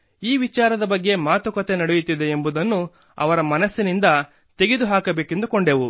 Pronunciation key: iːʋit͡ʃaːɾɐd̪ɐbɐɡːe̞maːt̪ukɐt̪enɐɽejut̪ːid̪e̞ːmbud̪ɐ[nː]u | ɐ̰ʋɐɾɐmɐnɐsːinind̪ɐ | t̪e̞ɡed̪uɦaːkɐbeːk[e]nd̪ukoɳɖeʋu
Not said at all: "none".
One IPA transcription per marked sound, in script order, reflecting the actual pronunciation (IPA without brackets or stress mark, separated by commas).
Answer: nː, e